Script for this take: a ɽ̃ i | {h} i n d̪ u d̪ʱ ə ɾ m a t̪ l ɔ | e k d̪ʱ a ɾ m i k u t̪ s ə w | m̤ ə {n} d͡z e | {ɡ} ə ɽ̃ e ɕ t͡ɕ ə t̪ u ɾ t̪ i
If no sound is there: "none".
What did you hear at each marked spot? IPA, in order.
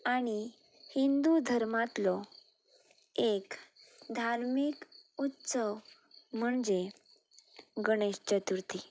h, ɳ, ɡ

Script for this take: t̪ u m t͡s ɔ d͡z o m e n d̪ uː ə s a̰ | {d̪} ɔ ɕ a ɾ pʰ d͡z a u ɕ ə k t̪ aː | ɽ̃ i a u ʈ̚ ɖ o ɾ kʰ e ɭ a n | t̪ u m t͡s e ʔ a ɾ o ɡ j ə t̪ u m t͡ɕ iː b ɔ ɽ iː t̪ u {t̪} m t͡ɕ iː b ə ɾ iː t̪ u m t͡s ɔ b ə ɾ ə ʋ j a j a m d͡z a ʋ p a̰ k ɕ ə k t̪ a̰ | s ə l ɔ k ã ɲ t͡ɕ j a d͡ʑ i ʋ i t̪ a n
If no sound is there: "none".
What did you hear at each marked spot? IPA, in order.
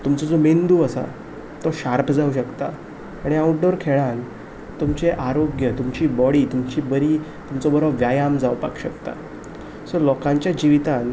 t̪, none

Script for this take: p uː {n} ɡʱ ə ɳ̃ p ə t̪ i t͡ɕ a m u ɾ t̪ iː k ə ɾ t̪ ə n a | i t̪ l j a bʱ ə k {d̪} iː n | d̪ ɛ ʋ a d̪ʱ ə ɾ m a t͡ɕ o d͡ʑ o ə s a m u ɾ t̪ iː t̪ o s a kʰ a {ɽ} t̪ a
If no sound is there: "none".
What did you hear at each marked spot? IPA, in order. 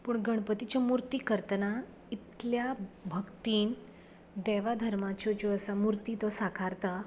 ɳ, t̪, ɾ

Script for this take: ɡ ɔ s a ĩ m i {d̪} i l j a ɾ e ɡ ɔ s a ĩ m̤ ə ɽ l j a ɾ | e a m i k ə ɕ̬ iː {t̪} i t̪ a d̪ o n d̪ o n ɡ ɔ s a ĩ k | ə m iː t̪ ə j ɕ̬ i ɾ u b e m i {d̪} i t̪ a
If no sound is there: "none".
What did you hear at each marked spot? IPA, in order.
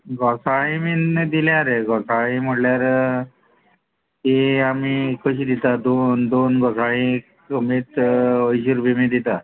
d̪, d̪, d̪

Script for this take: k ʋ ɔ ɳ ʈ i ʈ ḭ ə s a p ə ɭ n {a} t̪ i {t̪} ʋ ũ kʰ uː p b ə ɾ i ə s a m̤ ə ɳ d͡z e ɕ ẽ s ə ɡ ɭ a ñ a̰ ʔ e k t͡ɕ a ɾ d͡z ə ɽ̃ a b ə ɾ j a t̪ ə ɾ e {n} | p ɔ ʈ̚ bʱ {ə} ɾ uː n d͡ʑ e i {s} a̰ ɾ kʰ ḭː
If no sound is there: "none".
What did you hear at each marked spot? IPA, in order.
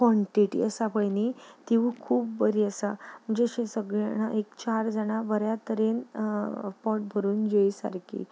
i, none, n, ə, s

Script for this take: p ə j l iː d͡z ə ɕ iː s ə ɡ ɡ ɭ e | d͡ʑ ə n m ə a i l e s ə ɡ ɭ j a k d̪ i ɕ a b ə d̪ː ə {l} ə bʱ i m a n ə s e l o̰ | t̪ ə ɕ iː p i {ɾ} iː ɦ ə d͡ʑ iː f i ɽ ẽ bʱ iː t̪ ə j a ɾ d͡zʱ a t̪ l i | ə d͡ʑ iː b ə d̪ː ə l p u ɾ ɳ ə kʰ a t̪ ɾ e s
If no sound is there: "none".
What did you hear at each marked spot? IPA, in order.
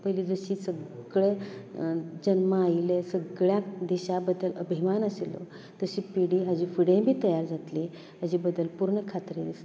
l, ɽ

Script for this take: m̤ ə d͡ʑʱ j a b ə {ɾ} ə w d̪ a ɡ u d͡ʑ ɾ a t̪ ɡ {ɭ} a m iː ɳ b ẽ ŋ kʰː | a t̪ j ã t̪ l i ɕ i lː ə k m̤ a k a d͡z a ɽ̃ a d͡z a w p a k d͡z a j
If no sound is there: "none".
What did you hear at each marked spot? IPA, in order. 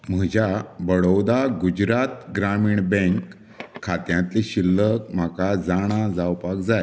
ɽ, ɾ

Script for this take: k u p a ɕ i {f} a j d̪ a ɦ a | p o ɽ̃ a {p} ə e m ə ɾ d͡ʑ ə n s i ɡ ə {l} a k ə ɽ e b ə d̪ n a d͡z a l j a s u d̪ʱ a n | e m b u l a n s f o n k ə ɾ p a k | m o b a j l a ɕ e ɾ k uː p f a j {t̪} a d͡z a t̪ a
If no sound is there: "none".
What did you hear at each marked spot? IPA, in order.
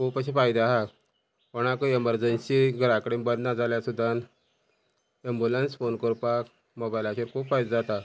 f, k, ɾ, d̪

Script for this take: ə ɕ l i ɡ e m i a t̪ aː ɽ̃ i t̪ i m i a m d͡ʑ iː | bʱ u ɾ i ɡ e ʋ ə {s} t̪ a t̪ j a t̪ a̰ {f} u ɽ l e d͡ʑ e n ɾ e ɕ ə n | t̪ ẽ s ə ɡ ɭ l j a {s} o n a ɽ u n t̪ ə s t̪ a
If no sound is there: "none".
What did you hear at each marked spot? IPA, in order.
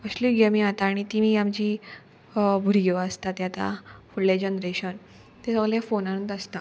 s, f, f

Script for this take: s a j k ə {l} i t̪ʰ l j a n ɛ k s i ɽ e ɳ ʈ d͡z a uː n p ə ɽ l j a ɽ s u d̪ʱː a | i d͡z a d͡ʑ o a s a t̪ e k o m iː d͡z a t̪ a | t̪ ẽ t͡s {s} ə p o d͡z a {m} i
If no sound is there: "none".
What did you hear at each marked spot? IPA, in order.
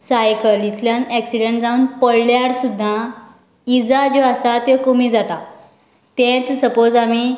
l, s, m

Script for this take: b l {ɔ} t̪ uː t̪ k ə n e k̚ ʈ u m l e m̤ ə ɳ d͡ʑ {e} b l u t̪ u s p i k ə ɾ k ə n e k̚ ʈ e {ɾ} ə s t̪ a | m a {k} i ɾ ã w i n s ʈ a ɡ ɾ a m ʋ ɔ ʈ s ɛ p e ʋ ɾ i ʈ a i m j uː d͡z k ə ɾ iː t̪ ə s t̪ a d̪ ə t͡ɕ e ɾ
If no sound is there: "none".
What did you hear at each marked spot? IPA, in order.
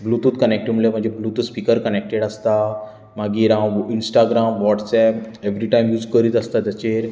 u, e, ɽ, ɡ

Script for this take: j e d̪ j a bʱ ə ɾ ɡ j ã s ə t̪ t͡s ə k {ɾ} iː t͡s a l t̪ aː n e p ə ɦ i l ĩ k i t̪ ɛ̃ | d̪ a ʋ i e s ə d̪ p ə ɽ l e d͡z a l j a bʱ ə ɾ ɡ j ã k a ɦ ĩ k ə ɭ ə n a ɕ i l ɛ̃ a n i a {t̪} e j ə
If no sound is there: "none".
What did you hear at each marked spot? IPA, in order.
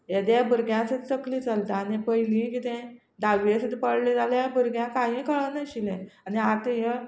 l, t̪

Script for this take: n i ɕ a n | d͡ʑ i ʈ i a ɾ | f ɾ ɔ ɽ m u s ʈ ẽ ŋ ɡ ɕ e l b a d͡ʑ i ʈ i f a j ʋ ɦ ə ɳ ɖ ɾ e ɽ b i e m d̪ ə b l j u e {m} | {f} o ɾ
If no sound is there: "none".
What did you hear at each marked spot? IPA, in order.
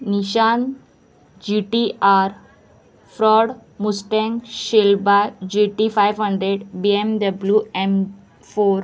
m, f

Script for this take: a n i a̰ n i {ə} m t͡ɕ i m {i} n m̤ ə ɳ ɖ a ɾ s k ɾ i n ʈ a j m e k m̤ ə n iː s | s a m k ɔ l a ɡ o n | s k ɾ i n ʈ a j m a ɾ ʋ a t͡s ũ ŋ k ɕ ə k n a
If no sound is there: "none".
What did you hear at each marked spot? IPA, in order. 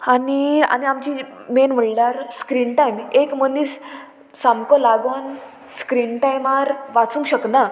a, e

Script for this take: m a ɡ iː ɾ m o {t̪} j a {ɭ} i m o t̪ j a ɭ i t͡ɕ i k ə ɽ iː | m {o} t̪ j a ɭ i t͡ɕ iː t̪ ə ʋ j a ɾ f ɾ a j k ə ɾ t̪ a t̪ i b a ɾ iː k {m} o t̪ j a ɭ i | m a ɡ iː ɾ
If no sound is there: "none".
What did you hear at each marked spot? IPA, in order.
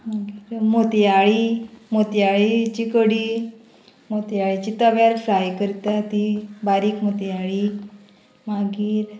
t̪, ɭ, o, m

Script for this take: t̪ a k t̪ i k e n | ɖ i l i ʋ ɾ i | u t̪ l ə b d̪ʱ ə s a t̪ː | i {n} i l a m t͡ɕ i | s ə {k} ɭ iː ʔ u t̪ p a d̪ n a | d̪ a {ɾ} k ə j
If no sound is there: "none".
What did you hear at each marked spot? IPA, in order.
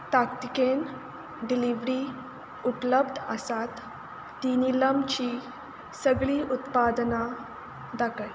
n, ɡ, none

